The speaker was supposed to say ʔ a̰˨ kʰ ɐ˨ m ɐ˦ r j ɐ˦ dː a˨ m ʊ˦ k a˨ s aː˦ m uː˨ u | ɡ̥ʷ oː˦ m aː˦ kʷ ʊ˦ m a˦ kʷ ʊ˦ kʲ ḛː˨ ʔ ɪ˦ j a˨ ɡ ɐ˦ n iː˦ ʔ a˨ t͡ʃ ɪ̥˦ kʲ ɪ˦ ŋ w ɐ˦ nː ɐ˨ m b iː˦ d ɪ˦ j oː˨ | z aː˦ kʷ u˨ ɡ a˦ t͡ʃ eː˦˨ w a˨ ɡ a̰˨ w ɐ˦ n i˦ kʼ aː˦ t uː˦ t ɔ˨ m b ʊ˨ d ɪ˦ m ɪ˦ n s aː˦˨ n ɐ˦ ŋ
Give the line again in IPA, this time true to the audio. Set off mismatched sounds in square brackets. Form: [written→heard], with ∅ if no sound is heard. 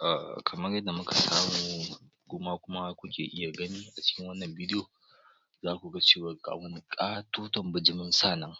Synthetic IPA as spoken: ʔ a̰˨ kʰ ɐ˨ m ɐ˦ r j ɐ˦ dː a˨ m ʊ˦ k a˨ s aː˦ m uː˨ u | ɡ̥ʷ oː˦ m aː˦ kʷ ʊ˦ m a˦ kʷ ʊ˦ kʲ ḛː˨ ʔ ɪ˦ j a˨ ɡ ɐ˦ n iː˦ ʔ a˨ t͡ʃ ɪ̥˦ kʲ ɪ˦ ŋ w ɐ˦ nː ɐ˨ m b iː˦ d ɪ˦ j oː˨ | z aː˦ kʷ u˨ ɡ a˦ t͡ʃ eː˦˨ w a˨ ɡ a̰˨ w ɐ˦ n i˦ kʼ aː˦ t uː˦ t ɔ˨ m b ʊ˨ [d→d͡ʒ] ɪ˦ m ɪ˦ n s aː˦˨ n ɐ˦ ŋ